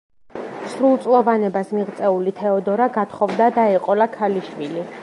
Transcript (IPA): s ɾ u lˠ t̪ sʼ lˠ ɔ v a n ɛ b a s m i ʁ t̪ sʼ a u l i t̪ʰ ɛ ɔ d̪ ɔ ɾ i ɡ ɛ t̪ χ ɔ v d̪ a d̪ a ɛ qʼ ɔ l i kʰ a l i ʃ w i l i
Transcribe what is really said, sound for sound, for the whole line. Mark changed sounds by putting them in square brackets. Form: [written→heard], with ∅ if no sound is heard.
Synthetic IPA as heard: s ɾ u lˠ t̪ sʼ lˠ ɔ v a n ɛ b a s m i ʁ t̪ sʼ [a→ɛ] u l i t̪ʰ ɛ ɔ d̪ ɔ ɾ [i→a] ɡ [ɛ→a] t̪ χ ɔ v d̪ a d̪ a ɛ qʼ ɔ l [i→a] kʰ a l i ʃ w i l i